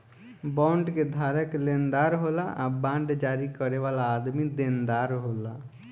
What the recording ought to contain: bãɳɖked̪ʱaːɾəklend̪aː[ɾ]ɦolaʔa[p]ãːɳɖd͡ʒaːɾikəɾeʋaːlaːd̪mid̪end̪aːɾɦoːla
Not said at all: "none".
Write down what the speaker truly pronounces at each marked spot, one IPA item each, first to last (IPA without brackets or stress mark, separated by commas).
ɾ, b